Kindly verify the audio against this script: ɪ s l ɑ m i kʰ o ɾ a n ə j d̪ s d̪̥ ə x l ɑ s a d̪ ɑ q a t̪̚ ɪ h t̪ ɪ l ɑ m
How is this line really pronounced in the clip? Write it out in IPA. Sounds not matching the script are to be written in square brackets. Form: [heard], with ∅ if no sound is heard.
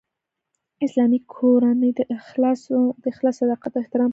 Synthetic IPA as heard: ɪ s l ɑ m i kʰ o ɾ a n ə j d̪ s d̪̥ ə x l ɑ s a d̪ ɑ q a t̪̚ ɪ h t̪ ɪ [ɾ] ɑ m